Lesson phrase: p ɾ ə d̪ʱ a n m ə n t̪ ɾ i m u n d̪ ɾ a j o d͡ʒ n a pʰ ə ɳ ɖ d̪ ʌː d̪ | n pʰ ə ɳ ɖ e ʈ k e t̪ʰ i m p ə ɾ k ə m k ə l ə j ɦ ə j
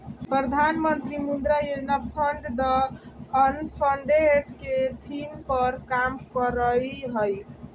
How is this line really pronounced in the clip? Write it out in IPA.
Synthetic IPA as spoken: p ɾ ə d̪ʱ a n m ə n t̪ ɾ i m u n d̪ ɾ a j o d͡ʒ n a pʰ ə ɳ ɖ d̪ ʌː | n pʰ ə ɳ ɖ e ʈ k e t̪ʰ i m p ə ɾ k a m k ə ɾ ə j ɦ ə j